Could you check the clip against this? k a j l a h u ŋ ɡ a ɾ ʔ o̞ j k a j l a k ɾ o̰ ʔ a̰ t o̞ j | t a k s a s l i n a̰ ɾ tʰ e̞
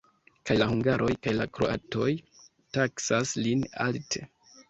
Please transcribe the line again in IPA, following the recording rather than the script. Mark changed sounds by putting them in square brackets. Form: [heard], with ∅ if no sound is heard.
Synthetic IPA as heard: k a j l a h u ŋ ɡ a ɾ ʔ o̞ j k a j l a k ɾ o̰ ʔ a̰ t o̞ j | t a k s a s l i n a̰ [l] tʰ e̞